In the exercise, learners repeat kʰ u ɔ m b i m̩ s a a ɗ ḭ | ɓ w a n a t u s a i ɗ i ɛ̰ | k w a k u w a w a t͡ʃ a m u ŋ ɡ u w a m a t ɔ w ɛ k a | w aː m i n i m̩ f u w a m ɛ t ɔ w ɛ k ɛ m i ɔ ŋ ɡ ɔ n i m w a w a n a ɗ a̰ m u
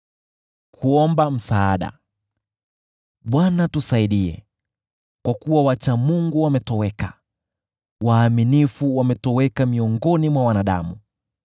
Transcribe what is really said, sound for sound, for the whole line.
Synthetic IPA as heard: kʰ u ɔ m b a m̩ s a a ɗ a̰ | ɓ w a n a t u s a i ɗ i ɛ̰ | k w a k u w a w a t͡ʃ a m u ŋ ɡ u w a m ɛ t ɔ w ɛ k a | w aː m i n i f u w a m ɛ t ɔ w ɛ k a m i ɔ ŋ ɡ ɔ n i m w a w a n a ɗ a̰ m u